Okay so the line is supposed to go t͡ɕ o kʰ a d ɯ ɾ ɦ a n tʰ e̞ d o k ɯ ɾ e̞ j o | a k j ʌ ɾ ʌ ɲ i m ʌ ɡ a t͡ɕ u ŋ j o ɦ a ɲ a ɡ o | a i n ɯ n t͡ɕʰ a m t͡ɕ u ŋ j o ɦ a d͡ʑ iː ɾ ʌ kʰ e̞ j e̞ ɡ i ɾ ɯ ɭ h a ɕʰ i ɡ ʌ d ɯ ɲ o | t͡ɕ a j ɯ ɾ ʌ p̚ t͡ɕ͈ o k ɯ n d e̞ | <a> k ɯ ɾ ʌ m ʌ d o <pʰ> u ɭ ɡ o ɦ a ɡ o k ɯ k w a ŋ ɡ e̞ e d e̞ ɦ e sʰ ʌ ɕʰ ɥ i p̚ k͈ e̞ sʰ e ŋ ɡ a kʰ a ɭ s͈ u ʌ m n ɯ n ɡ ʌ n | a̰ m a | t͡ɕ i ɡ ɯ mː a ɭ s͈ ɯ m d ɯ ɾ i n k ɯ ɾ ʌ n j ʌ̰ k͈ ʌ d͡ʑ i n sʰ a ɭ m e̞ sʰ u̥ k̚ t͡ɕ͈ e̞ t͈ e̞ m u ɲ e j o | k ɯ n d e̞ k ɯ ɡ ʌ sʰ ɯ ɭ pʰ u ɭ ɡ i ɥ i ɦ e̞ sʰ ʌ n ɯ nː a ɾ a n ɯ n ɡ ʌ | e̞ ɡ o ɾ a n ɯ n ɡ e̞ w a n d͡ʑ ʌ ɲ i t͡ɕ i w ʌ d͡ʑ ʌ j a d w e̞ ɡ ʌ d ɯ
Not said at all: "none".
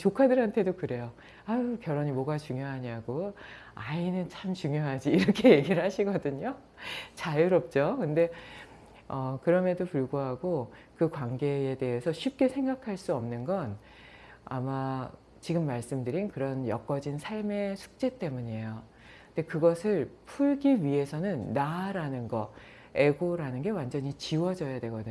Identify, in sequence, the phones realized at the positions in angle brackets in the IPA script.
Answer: ʌ, p

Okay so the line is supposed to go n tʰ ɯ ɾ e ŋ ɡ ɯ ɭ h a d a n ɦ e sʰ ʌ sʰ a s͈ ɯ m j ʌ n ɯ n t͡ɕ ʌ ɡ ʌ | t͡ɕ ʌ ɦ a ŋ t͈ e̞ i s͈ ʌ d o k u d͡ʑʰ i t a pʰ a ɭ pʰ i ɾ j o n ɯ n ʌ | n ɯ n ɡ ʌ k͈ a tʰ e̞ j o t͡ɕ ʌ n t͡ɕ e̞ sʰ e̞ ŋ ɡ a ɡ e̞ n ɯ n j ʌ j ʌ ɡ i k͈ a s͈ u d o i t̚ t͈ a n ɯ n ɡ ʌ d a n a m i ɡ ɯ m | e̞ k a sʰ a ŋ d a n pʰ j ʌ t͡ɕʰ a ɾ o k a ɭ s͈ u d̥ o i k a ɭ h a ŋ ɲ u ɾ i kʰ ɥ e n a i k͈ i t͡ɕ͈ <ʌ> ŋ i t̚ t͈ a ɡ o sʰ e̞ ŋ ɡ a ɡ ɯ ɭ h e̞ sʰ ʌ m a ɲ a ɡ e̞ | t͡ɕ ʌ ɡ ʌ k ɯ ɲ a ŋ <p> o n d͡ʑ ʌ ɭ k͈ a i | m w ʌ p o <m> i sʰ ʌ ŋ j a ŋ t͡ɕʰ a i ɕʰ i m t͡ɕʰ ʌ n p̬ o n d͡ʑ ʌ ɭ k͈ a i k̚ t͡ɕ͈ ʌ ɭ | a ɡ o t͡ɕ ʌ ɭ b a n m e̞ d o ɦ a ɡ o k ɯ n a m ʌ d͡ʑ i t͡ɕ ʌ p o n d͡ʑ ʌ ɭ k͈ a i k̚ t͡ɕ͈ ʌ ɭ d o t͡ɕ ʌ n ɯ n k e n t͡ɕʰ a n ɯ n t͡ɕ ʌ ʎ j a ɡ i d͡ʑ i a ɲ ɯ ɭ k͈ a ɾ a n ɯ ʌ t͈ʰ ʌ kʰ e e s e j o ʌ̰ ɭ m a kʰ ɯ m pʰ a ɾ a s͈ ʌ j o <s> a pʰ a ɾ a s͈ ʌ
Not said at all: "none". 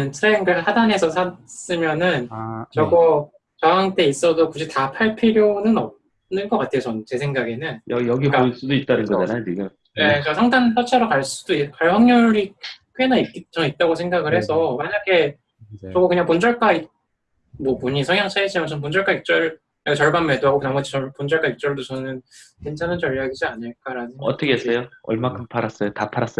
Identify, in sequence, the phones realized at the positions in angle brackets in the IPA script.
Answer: ʌ, p, ɲ, t

